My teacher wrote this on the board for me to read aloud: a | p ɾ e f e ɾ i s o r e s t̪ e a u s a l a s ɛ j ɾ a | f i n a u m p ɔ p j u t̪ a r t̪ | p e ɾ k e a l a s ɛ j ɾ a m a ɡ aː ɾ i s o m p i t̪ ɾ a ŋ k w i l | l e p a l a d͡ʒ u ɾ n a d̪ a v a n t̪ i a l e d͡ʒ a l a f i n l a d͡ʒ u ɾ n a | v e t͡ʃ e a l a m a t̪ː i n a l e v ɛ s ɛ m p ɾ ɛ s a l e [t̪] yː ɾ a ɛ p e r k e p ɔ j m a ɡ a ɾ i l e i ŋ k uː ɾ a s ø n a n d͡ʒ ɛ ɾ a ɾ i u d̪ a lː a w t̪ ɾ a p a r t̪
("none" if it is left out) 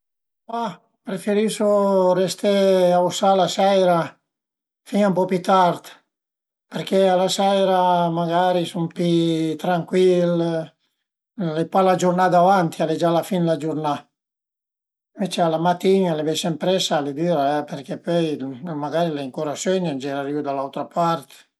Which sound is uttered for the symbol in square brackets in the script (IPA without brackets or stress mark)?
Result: d̪